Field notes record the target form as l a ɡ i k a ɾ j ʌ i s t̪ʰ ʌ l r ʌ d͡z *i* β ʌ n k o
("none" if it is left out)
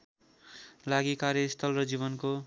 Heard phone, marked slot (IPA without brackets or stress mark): i